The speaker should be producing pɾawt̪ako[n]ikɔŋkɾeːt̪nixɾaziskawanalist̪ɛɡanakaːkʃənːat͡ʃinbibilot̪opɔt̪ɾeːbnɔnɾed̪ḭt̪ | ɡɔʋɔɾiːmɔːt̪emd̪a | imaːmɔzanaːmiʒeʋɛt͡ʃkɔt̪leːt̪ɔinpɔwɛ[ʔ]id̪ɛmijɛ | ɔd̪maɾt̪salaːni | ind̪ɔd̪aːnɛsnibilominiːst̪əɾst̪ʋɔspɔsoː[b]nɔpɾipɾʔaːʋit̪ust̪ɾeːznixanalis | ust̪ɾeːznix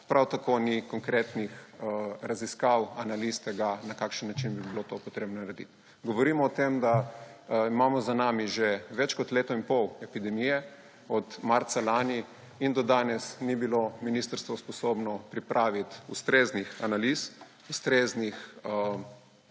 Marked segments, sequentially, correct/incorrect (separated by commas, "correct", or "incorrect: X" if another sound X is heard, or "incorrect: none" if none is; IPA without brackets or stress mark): correct, incorrect: p, correct